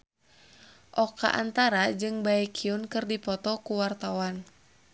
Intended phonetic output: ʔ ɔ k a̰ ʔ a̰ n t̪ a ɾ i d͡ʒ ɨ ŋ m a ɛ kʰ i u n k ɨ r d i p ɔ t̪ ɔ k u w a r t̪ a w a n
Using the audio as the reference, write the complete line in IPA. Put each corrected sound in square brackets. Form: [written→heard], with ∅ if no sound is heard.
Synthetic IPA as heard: ʔ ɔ k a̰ ʔ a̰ n t̪ a ɾ [i→a] d͡ʒ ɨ ŋ [m→b] a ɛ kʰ i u n k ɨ r d i p ɔ t̪ ɔ k u w a r t̪ a w a n